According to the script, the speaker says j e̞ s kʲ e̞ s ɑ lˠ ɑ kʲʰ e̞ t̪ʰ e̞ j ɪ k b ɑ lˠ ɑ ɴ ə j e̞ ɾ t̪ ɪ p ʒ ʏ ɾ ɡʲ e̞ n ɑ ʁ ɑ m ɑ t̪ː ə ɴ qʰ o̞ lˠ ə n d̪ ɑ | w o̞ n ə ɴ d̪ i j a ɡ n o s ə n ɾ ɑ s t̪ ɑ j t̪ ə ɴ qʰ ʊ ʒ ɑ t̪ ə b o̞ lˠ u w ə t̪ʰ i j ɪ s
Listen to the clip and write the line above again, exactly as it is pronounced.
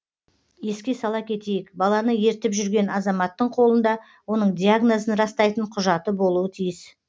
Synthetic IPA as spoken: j e̞ s kʲ e̞ s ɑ lˠ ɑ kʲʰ e̞ t̪ e̞ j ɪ k b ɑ lˠ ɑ n ə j e̞ ɾ t̪ ɪ p ʒ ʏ ɾ ɡʲ e̞ n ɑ z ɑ m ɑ t̪ː ə ɴ qʰ o̞ lˠ ə n d̪ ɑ | w o̞ n ə ɴ d̪ i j a ɡ n o z ə n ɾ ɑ s t̪ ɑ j t̪ ə ɴ qʰ ʊ ʒ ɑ t̪ ə b o̞ lˠ u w ə t̪ʰ i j ɪ s